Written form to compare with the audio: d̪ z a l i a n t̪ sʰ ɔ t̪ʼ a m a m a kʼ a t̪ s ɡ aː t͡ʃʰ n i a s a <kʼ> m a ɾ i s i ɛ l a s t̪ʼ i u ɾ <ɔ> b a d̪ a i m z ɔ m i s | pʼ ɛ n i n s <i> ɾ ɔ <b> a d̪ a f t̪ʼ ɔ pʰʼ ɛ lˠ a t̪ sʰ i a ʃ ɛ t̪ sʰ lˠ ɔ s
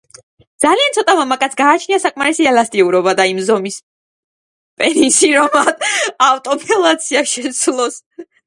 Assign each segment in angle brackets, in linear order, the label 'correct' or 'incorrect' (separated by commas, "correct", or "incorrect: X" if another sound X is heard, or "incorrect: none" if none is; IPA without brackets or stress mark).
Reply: correct, correct, correct, incorrect: m